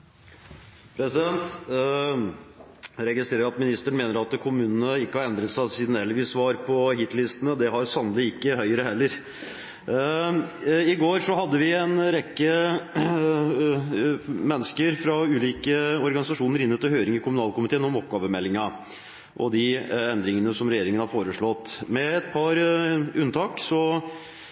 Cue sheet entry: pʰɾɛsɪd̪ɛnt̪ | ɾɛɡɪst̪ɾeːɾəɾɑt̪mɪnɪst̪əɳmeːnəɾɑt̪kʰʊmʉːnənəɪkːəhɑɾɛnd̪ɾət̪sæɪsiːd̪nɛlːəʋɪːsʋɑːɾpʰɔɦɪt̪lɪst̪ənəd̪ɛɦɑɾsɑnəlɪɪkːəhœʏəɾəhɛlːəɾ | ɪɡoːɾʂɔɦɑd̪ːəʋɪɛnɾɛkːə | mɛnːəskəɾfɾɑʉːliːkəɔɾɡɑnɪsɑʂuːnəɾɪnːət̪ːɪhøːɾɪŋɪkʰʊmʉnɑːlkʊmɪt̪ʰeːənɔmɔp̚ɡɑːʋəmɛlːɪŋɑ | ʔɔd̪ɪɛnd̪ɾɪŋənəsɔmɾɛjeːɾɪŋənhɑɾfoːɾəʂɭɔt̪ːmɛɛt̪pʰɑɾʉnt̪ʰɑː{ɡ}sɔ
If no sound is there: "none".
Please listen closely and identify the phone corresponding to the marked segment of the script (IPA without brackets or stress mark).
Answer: k